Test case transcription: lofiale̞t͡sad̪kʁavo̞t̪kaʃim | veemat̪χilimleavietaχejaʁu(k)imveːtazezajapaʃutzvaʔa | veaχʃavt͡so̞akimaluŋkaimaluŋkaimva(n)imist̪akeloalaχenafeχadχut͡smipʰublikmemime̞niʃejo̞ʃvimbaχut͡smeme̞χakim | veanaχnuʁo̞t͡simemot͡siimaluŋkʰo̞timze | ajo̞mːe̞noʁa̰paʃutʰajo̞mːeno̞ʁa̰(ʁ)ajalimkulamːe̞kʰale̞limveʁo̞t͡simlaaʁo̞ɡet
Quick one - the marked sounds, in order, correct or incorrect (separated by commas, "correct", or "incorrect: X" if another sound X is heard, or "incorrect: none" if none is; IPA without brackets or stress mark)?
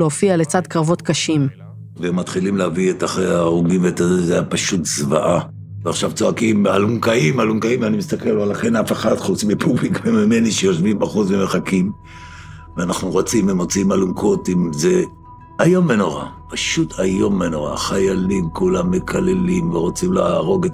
incorrect: ɡ, correct, incorrect: χ